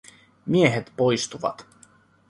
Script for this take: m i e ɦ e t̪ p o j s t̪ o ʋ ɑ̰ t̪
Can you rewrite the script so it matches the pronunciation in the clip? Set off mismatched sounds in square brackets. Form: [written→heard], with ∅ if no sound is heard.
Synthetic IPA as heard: m i e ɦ e t̪ p o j s t̪ [o→u] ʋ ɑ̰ t̪